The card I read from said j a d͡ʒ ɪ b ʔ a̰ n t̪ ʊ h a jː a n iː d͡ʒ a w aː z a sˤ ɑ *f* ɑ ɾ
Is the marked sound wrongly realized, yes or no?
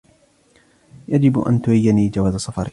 no